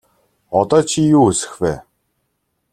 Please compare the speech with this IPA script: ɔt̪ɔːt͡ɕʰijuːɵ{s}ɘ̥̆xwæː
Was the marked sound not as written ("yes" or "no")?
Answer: no